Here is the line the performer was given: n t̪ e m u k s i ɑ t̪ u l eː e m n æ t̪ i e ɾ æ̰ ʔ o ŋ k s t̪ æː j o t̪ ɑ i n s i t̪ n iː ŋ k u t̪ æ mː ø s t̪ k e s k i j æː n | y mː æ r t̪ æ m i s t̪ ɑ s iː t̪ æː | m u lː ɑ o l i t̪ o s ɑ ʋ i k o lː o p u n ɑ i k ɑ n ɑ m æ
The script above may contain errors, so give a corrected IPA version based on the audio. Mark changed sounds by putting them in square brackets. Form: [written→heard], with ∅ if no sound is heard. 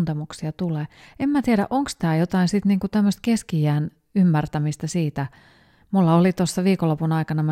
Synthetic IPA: n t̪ e m u k s i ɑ t̪ u l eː e m [n→m] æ t̪ i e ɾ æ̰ ʔ o ŋ k s t̪ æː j o t̪ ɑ i n s i t̪ n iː ŋ k u t̪ æ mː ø s t̪ k e s k i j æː n | y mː æ r t̪ æ m i s t̪ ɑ s iː t̪ [æː→æ] | m u lː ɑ o l i t̪ o [s→sː] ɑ ʋ [i→iː] k o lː o p u n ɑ i k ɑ n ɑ m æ